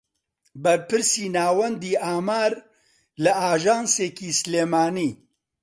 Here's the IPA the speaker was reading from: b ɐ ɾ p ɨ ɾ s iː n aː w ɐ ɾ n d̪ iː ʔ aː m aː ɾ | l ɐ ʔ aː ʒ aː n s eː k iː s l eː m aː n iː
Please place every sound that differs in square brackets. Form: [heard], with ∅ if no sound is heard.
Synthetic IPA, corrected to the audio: b ɐ ɾ p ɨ ɾ s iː n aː w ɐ [∅] n d̪ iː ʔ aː m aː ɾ | l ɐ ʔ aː ʒ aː n s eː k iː s l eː m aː n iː